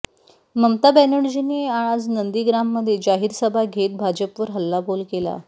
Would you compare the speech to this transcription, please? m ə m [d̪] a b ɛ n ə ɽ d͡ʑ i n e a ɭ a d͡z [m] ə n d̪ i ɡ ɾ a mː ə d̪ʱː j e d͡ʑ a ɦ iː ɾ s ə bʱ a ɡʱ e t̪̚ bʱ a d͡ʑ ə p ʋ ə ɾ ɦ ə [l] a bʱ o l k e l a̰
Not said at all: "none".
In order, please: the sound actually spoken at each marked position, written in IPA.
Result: t̪, n, lː

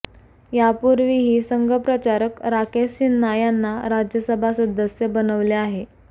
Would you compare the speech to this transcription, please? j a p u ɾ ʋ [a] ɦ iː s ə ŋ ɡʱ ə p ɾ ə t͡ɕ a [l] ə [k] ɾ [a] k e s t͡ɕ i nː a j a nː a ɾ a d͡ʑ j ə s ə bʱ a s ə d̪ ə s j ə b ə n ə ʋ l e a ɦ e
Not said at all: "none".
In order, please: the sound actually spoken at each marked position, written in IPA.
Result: i, ɾ, k, a

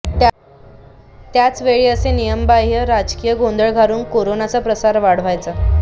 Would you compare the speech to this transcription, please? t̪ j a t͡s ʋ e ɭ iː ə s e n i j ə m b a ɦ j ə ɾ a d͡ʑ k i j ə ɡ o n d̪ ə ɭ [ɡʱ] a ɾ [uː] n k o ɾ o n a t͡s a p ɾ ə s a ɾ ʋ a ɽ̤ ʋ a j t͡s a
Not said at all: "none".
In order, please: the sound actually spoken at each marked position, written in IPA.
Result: ɡʱ, uː

